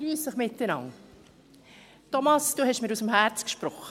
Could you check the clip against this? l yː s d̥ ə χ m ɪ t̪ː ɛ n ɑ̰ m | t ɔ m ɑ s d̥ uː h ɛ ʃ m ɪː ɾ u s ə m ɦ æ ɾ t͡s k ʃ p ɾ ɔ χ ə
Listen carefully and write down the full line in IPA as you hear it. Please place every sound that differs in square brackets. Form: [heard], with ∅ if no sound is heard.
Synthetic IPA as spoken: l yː s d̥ ə χ m ɪ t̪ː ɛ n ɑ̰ [ŋ] | t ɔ m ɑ s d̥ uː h ɛ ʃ m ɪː ɾ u s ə m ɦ æ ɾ t͡s k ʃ p ɾ ɔ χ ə